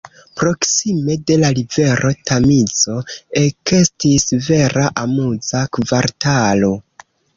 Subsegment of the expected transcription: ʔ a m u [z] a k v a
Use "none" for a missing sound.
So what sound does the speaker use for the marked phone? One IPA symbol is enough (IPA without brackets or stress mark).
z